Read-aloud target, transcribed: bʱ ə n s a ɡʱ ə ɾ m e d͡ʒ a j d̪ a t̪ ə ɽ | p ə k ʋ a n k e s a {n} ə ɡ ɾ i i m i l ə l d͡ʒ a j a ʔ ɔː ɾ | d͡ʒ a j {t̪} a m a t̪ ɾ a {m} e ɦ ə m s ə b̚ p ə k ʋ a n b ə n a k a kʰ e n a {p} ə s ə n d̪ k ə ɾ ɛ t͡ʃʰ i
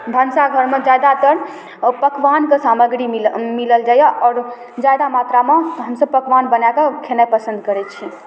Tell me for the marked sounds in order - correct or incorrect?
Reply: incorrect: m, incorrect: d̪, correct, correct

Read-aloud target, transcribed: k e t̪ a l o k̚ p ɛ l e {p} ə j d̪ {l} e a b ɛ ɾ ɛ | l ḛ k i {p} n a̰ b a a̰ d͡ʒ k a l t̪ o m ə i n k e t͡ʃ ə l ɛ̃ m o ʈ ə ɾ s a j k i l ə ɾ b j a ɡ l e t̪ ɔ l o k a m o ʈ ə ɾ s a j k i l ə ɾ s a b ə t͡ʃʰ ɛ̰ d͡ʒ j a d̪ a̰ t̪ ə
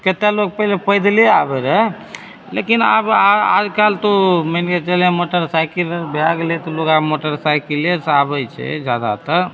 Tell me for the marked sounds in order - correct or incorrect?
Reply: correct, correct, incorrect: none

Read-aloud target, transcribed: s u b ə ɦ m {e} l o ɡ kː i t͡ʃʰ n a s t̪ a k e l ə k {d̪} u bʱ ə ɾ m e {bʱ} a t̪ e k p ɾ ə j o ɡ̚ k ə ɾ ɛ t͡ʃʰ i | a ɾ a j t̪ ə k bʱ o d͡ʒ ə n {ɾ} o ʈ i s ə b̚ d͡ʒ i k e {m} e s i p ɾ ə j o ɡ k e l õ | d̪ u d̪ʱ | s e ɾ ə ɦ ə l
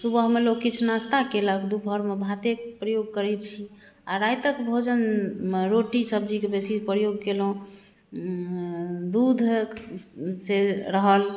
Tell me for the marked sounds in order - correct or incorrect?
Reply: correct, correct, correct, correct, incorrect: b

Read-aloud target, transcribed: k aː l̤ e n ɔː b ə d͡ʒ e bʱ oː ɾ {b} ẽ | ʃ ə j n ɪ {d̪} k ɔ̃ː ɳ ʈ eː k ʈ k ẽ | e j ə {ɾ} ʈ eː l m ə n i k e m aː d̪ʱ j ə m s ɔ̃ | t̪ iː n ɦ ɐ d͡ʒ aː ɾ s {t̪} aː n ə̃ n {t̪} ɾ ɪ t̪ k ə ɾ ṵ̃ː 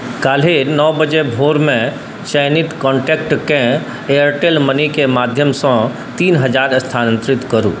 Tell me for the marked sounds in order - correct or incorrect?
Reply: incorrect: m, incorrect: t̪, correct, incorrect: t̪ʰ, correct

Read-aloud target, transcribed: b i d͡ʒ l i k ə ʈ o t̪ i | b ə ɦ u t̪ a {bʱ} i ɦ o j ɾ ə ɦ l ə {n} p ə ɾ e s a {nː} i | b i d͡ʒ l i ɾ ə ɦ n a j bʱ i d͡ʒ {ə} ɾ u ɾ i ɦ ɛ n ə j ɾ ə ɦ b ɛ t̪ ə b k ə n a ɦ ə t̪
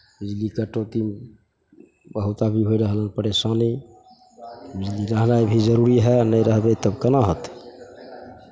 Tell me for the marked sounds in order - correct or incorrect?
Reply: correct, correct, incorrect: n, correct

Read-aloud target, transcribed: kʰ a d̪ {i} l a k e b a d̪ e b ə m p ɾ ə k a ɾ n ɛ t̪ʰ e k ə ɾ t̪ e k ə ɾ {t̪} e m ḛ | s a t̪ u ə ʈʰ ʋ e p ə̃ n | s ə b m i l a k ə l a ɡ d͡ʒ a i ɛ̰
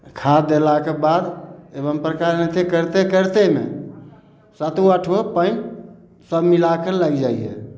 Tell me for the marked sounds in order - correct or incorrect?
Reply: incorrect: e, correct

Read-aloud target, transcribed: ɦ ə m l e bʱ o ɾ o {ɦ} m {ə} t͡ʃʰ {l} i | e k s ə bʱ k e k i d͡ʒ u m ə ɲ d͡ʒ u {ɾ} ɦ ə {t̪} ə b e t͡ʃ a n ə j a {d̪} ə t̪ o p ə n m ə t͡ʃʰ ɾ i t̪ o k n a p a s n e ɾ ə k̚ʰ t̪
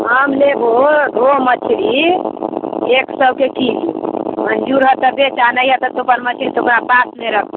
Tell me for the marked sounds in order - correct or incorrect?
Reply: correct, correct, incorrect: ɾ, correct, correct, incorrect: t̪

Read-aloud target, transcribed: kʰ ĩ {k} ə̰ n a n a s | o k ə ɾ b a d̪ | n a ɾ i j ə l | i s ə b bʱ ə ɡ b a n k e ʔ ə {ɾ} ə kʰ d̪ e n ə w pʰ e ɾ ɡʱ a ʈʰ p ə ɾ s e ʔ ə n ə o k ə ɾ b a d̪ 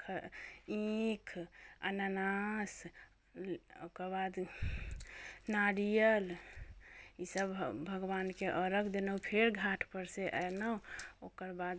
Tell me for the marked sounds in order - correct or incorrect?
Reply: incorrect: kʰ, correct

